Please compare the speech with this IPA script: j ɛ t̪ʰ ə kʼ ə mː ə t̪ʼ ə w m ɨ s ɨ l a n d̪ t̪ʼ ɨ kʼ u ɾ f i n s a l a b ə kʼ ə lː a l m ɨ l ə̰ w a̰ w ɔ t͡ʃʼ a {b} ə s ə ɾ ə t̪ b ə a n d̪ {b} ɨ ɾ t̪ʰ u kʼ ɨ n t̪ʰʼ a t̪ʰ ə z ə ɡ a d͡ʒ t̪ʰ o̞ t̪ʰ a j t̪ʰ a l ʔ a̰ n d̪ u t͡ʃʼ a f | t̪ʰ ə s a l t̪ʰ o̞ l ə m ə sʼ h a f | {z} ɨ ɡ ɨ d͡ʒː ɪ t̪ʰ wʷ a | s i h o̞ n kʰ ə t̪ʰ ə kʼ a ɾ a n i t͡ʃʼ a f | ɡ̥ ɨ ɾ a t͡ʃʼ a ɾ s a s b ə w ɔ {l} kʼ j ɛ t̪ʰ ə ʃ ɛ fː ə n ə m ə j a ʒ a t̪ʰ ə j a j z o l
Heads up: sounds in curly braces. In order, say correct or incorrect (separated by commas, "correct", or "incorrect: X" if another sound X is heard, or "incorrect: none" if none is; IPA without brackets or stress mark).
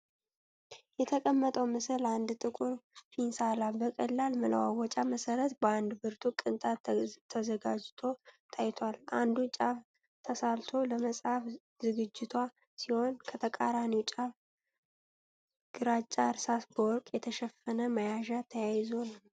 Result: incorrect: m, correct, correct, incorrect: ɾ